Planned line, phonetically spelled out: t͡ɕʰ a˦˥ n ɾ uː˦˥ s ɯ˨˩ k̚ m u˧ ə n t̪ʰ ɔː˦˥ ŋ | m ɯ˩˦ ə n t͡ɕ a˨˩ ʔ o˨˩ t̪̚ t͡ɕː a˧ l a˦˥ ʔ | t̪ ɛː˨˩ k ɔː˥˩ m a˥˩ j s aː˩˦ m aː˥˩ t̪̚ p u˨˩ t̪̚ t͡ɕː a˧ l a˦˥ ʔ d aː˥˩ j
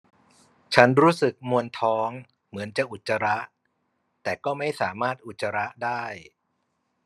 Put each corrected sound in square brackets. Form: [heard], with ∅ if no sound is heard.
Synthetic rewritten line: t͡ɕʰ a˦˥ n ɾ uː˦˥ s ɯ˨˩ k̚ m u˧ ə n t̪ʰ ɔː˦˥ ŋ | m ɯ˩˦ ə n t͡ɕ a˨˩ ʔ [u˨˩] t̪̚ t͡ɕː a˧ [ɾ] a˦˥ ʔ | t̪ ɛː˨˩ k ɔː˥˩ m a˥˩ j s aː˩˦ m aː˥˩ t̪̚ [ʔ] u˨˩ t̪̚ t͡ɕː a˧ [ɾ] a˦˥ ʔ d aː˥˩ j